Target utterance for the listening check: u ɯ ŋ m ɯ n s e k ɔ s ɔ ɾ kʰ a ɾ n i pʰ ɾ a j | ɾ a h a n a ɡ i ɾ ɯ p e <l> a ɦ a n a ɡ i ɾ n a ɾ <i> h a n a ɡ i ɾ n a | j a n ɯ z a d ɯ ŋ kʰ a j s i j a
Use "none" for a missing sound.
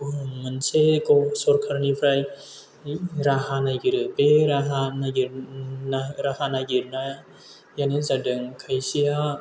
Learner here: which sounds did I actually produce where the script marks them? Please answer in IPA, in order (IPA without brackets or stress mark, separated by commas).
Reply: ɾ, a